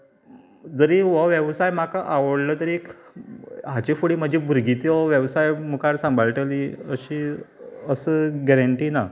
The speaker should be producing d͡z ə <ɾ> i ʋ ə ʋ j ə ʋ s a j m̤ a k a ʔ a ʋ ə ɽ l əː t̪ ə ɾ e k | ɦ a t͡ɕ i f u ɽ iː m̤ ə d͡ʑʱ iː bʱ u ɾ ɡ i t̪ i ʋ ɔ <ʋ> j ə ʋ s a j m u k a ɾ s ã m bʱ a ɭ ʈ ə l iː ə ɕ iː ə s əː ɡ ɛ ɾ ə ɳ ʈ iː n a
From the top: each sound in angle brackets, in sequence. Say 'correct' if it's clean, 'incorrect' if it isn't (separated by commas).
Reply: correct, correct